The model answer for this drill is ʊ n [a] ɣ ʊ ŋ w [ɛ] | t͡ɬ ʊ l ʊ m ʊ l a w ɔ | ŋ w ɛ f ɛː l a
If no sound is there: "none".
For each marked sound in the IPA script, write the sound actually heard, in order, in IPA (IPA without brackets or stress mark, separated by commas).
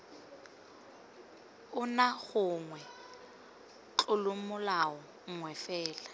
a, ɛ